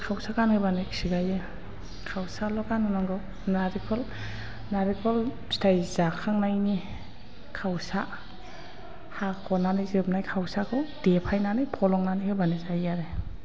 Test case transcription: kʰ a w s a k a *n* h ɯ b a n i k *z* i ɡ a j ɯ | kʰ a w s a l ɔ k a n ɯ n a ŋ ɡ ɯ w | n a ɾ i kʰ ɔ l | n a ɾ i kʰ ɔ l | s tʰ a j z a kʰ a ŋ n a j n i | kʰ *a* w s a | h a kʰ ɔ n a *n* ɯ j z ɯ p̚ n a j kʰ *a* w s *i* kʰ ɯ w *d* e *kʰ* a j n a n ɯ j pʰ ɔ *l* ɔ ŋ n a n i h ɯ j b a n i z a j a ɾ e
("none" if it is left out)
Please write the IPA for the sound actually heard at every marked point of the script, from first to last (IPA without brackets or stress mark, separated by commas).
n, s, a, n, a, a, d, pʰ, l